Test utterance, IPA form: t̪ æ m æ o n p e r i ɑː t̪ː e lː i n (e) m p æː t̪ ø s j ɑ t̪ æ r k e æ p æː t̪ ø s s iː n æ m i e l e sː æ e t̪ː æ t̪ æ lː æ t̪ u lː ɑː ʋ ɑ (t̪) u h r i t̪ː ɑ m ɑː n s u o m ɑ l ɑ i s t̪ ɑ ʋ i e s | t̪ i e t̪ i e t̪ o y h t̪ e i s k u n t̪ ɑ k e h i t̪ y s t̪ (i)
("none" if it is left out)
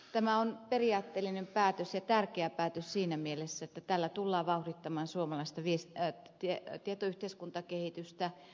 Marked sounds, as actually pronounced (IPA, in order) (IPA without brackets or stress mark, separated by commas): e, none, æ